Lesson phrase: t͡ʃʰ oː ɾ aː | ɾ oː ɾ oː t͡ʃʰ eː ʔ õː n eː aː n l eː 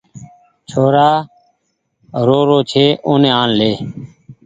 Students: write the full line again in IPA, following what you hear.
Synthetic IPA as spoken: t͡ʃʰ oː ɾ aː | ɾ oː ɾ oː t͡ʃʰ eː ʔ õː n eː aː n l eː